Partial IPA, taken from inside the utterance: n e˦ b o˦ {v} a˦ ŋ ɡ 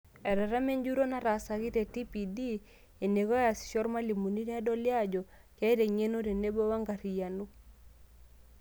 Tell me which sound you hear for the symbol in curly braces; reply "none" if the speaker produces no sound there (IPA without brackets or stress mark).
w